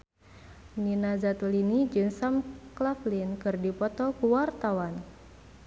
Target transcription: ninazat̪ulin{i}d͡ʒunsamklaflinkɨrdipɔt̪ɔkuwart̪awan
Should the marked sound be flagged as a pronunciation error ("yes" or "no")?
no